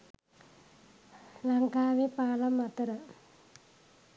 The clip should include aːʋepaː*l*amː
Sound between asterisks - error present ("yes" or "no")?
no